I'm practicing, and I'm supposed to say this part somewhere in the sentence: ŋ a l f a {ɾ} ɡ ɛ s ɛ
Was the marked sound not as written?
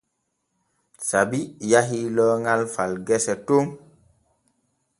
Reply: yes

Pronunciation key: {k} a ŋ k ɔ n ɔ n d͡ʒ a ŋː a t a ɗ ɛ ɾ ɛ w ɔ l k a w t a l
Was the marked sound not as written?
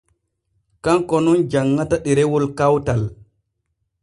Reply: no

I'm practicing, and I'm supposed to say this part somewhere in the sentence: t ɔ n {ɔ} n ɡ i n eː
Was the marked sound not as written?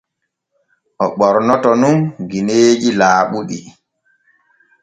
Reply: yes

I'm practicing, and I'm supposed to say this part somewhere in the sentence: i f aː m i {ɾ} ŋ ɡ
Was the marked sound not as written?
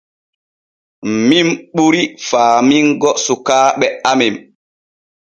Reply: yes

